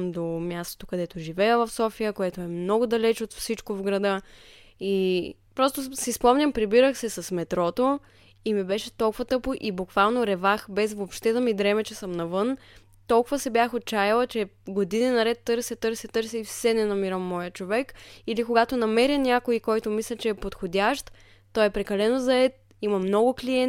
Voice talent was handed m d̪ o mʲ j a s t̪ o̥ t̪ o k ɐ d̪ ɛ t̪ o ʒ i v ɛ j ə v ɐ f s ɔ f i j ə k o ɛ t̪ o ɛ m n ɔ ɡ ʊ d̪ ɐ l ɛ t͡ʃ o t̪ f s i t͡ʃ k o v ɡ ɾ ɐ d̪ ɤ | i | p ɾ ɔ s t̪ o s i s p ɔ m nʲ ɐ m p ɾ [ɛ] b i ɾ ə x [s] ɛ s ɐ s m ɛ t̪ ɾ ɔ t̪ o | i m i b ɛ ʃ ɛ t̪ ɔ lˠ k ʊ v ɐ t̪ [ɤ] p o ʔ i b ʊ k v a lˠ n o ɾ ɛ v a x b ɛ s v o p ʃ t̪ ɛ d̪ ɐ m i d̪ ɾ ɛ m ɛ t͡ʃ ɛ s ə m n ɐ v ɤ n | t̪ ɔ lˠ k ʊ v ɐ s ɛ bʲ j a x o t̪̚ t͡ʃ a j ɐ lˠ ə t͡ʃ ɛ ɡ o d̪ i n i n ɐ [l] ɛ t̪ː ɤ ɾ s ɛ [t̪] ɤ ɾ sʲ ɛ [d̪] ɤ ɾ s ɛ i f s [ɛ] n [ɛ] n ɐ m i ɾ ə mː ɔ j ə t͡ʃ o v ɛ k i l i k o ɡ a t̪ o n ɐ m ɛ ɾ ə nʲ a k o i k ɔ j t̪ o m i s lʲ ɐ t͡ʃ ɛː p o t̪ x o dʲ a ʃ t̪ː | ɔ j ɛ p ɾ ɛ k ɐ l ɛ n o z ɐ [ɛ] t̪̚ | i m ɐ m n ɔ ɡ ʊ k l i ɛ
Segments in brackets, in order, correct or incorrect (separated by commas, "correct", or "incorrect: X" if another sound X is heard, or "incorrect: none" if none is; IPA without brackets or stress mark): incorrect: i, correct, correct, incorrect: ɾ, correct, incorrect: t̪, correct, correct, correct